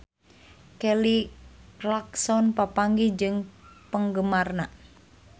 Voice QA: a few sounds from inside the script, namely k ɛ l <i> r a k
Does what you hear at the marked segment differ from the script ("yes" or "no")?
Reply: no